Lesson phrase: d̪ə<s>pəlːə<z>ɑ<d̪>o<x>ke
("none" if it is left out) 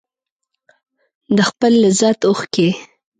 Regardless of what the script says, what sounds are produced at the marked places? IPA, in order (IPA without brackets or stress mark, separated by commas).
x, z, t̪, x